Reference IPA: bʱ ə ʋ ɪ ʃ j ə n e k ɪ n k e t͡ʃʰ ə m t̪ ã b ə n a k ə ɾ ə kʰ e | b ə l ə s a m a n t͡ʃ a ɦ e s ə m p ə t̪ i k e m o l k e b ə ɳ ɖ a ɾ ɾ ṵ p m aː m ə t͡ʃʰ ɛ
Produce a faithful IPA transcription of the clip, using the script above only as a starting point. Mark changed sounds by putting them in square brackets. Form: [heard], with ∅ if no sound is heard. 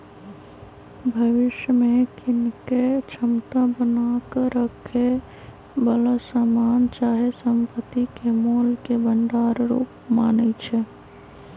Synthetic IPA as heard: bʱ ə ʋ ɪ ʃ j ə [m] e k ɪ n k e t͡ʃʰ ə m t̪ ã b ə n a k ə ɾ ə kʰ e | b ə l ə s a m a n t͡ʃ a ɦ e s ə m p ə t̪ i k e m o l k e b ə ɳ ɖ a ɾ ɾ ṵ p m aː [n] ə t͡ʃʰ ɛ